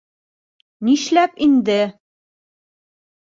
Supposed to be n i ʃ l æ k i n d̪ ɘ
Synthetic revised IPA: n i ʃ l æ p i n d̪ ɘ